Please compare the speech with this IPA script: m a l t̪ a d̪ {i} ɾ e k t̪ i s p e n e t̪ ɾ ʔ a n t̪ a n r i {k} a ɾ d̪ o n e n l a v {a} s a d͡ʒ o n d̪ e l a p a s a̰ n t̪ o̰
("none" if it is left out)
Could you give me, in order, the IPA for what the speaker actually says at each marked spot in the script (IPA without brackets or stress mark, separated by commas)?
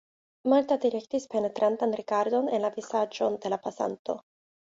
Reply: i, k, i